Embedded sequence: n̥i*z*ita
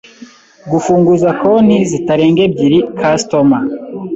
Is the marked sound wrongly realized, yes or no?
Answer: no